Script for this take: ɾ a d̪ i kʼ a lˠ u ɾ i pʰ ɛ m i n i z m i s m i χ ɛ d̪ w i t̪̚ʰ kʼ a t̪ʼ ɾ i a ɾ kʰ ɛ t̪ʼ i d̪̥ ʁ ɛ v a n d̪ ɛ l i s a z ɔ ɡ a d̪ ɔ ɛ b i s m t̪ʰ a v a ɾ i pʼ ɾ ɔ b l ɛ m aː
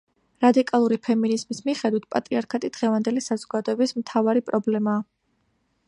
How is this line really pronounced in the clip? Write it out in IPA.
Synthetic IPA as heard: ɾ a d̪ i kʼ a lˠ u ɾ i pʰ ɛ m i n i z m i s m i χ ɛ d̪ w i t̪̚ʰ pʼ a t̪ʼ ɾ i a ɾ kʰ a t̪ʼ i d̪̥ ʁ ɛ v a n d̪ ɛ l i s a z ɔ ɡ a d̪ ɔ ɛ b i s m t̪ʰ a v a ɾ i pʼ ɾ ɔ b l ɛ m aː

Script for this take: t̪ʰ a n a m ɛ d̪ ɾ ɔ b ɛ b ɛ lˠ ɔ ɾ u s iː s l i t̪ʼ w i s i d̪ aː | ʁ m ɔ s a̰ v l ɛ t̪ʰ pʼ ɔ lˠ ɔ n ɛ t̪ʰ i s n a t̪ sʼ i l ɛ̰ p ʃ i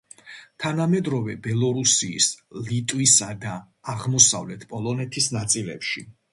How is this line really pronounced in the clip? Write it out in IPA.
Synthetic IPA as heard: t̪ʰ a n a m ɛ d̪ ɾ ɔ v ɛ b ɛ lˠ ɔ ɾ u s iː s l i t̪ʼ w i s a d̪ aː | ʁ m ɔ s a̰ v l ɛ t̪ʰ pʼ ɔ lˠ ɔ n ɛ t̪ʰ i s n a t̪ sʼ i l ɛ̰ p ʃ i

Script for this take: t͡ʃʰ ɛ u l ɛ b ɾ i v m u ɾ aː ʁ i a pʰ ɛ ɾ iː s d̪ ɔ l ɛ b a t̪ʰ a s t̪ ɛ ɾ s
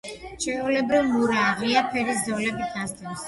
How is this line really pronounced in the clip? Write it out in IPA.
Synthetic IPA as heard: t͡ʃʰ ɛ u l ɛ b ɾ i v m u ɾ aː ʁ i a pʰ ɛ ɾ i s d̪ ɔ l ɛ b i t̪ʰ a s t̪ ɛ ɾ s

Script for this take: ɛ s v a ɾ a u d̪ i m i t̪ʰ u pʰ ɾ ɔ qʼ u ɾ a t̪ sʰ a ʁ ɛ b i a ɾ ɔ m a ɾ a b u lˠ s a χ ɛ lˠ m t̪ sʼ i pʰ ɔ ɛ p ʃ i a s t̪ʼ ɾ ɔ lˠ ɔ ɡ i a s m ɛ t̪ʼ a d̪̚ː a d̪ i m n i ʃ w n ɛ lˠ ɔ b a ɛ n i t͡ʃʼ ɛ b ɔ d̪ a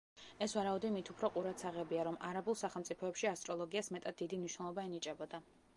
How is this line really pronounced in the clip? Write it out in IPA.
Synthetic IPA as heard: ɛ s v a ɾ a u d̪ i m i t̪ʰ u pʰ ɾ ɔ qʼ u ɾ a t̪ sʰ a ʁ ɛ b i a ɾ ɔ m a ɾ a b u lˠ s a χ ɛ lˠ m t̪ sʼ i pʰ ɔ ɛ p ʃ i a s t̪ʼ ɾ ɔ lˠ ɔ ɡ i a s m ɛ t̪ʼ a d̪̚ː i d̪ i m n i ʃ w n ɛ lˠ ɔ b a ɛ n i t͡ʃʼ ɛ b ɔ d̪ a

